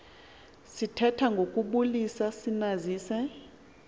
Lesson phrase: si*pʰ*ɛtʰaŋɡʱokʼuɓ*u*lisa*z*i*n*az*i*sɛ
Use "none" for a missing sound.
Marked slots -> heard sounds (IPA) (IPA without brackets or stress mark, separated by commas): tʰ, u, s, n, iː